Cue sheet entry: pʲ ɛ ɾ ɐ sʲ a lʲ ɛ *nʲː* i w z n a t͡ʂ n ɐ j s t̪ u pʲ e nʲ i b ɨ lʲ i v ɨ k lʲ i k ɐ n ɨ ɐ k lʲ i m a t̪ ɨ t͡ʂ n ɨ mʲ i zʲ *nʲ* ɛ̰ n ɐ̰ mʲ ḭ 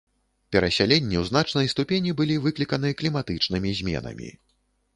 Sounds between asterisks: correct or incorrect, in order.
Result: correct, incorrect: mʲ

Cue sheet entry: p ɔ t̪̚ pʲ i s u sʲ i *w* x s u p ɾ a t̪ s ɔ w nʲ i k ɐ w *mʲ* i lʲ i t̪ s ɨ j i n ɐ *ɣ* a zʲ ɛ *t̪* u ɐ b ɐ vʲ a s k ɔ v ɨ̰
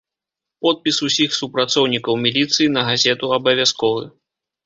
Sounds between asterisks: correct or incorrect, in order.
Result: incorrect: none, correct, correct, correct

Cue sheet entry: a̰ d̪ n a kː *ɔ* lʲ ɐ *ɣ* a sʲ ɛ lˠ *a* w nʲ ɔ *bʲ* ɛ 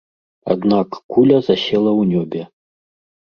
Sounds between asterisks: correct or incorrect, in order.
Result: incorrect: u, incorrect: z, incorrect: ɐ, correct

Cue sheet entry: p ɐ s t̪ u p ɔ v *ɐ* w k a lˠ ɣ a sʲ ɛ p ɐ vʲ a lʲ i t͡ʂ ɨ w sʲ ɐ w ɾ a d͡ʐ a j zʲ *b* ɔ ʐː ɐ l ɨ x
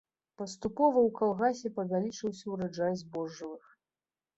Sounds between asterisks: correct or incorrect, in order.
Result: correct, correct

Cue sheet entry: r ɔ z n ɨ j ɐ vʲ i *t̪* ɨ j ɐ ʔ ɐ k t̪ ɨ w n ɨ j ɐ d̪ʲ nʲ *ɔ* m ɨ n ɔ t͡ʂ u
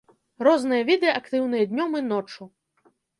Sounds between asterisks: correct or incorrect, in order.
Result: incorrect: d̪, correct

